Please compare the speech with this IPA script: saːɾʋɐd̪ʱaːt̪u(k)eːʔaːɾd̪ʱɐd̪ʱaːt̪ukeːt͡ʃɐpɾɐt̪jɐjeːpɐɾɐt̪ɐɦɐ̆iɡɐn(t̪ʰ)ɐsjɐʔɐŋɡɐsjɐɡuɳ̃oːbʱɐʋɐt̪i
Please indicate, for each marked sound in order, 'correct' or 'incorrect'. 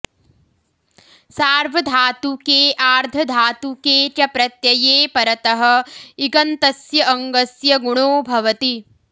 correct, incorrect

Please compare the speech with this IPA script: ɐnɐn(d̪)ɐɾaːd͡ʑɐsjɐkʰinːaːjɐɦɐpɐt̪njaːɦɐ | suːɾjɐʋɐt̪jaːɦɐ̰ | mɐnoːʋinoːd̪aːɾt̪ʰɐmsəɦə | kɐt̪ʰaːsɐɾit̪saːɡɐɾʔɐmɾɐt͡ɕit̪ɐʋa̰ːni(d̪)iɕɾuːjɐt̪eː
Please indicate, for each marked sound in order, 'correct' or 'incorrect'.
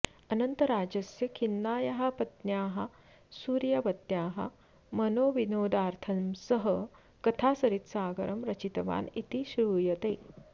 incorrect, incorrect

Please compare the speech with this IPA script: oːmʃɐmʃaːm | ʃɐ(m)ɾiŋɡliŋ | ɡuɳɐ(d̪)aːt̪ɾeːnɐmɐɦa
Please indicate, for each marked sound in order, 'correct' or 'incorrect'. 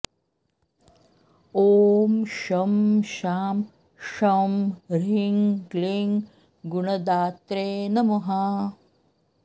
correct, correct

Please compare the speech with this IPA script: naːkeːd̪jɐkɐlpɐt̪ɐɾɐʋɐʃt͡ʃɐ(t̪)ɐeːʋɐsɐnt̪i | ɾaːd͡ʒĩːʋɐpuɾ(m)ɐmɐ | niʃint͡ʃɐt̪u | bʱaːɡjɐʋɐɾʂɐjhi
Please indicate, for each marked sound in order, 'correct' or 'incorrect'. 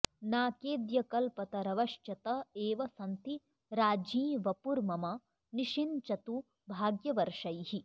correct, correct

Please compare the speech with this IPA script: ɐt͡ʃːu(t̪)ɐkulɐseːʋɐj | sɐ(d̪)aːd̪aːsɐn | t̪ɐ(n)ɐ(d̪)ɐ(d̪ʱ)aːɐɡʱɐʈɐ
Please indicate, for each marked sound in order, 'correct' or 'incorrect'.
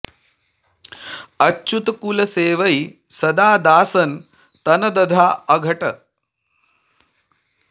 correct, correct, correct, correct, correct

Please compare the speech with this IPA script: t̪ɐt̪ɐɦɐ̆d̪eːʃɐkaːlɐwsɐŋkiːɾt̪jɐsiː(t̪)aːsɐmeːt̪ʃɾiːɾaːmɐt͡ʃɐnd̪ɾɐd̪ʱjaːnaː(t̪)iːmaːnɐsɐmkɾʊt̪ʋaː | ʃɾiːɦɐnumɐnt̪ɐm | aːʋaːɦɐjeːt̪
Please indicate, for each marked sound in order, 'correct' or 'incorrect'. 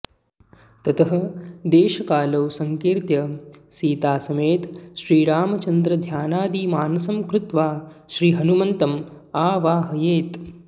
correct, incorrect

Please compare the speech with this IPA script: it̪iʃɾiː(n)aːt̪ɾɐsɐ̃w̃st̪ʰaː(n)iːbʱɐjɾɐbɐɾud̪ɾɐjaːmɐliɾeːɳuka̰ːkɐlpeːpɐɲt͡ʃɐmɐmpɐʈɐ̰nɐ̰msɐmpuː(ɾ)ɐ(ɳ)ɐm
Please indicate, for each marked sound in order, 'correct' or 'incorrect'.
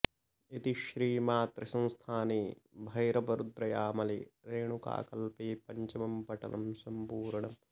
incorrect, correct, correct, correct

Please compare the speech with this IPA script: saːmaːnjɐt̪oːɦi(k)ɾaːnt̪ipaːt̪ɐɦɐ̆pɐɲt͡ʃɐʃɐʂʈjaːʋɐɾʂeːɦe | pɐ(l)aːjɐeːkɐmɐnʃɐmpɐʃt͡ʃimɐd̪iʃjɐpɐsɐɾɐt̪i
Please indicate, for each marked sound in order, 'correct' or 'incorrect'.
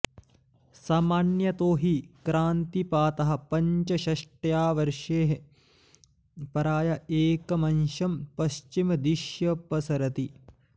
correct, incorrect

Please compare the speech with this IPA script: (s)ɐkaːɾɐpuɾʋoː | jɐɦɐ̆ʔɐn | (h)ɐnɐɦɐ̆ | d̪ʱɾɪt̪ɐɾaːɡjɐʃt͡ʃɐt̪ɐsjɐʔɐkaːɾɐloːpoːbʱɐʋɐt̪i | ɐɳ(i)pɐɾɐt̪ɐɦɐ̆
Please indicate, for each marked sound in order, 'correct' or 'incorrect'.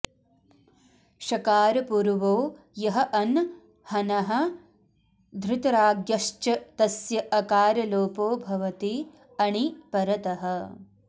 incorrect, correct, correct

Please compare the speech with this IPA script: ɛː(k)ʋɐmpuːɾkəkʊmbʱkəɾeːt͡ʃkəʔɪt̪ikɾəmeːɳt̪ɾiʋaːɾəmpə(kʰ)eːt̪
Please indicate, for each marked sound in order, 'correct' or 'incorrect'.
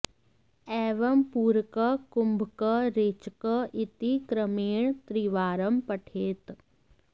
incorrect, incorrect

